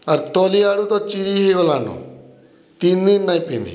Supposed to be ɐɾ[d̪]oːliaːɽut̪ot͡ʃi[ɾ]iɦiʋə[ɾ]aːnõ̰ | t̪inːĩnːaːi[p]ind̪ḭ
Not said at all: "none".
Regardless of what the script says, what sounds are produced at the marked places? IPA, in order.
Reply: t̪, ɾ, l, p

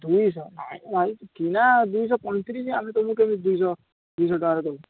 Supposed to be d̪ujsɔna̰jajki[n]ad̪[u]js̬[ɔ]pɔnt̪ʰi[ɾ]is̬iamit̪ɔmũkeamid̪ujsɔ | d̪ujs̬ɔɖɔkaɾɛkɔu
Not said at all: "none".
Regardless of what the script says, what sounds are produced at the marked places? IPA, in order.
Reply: n, u, ɔ, ɾ

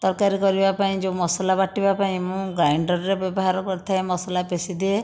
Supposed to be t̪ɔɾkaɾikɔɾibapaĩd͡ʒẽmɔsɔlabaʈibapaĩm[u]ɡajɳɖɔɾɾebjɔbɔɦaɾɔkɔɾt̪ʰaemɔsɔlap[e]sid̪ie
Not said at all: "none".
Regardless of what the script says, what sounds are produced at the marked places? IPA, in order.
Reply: ũ, e

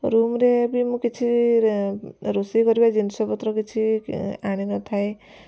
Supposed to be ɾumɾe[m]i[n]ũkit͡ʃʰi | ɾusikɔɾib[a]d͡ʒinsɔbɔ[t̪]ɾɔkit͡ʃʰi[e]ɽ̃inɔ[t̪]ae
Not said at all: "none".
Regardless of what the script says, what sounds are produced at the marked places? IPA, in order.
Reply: b, m, a, t̪, a, t̪ʰ

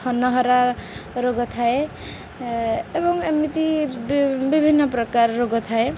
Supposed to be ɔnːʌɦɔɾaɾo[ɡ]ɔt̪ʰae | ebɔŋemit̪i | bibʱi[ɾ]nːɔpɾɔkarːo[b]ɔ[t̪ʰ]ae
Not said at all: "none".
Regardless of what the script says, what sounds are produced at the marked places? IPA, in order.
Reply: ɡ, none, ɡ, t̪ʰ

